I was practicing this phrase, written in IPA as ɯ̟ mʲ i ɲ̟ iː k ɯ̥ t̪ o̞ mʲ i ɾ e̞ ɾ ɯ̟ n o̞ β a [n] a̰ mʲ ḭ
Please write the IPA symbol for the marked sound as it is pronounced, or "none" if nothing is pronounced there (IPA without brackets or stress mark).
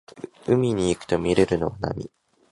n